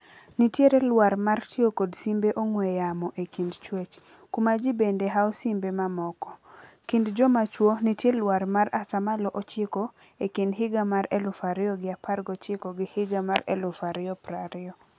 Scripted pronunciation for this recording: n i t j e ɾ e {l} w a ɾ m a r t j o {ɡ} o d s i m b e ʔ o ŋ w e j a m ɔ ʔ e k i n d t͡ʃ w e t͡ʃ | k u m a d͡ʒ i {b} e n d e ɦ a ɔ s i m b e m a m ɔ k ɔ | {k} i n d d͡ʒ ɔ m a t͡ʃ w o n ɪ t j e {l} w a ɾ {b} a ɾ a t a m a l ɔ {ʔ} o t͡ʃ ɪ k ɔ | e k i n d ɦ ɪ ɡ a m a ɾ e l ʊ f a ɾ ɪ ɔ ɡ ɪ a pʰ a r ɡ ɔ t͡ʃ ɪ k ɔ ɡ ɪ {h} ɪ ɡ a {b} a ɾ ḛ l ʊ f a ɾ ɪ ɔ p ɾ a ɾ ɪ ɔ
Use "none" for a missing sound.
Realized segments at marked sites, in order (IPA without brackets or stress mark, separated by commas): l, k, b, k, l, m, ʔ, h, m